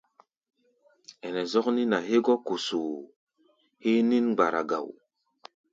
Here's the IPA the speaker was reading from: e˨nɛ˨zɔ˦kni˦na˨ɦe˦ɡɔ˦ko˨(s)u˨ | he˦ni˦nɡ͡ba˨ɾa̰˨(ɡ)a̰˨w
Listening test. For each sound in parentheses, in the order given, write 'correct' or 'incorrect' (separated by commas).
correct, correct